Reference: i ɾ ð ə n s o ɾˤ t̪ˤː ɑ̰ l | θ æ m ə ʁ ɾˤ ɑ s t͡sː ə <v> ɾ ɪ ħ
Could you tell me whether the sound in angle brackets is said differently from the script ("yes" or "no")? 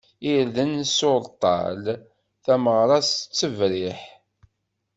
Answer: no